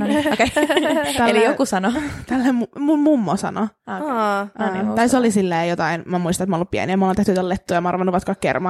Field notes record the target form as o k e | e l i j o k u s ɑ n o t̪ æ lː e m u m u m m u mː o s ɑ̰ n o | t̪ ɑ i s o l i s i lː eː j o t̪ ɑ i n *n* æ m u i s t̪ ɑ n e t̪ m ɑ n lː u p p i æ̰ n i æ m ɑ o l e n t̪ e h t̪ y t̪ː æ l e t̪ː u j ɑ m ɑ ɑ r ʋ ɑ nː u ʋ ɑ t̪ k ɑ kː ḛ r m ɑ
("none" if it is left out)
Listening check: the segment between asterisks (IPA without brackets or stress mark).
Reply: m